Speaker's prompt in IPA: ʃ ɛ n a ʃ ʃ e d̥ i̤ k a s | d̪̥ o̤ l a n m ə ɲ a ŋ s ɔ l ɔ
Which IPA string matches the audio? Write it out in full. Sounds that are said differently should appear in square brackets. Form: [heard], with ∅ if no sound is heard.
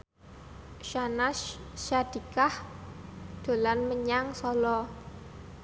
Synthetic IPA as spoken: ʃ [a] n a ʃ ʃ [a] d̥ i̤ k a [h] | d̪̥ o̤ l a n m ə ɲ a ŋ s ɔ l ɔ